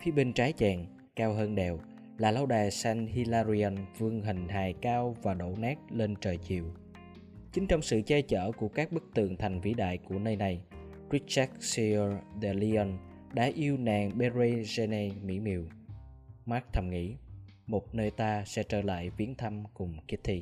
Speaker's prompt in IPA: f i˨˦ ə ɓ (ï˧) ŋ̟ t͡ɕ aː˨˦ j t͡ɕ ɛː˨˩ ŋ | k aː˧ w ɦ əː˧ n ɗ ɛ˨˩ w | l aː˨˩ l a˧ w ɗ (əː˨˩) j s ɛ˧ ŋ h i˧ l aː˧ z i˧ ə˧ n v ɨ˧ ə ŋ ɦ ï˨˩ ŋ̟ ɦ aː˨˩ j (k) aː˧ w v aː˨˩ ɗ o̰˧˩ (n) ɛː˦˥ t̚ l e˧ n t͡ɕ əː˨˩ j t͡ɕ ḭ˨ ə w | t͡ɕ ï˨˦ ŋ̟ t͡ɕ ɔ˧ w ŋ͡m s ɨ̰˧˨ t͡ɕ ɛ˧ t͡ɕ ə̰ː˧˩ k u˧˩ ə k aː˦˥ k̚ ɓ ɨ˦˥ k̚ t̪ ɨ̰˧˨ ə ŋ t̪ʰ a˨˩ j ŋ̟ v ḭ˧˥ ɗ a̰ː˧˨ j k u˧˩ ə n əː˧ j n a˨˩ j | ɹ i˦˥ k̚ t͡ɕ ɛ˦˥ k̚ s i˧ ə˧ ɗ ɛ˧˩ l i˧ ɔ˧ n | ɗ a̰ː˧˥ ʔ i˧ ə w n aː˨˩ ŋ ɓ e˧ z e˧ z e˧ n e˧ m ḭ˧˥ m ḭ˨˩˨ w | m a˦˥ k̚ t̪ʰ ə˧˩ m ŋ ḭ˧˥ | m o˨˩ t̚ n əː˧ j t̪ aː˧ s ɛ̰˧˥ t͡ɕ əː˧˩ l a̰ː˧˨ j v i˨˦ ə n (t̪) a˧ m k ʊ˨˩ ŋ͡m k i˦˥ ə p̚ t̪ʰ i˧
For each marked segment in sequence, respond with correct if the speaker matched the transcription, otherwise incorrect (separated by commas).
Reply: correct, incorrect, correct, correct, incorrect